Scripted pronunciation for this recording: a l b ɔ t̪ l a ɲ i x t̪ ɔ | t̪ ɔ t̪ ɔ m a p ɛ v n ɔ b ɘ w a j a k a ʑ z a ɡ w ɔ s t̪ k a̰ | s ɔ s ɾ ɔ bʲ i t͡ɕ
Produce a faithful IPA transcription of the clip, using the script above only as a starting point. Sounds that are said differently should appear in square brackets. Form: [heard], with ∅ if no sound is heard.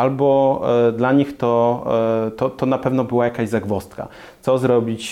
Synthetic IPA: a l b ɔ [d̪] l a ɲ i x t̪ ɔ | t̪ ɔ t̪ ɔ [n] a p ɛ v n ɔ b ɘ w a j a k a ʑ z a ɡ [v] ɔ s t̪ k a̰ | s ɔ [z] ɾ ɔ bʲ i t͡ɕ